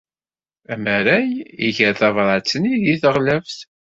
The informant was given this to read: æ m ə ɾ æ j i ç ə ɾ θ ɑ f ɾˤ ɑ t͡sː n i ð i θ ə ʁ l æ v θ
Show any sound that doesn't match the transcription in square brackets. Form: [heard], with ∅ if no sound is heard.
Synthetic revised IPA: æ m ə ɾ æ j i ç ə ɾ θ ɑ [v] ɾˤ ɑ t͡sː n i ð i θ ə ʁ l æ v θ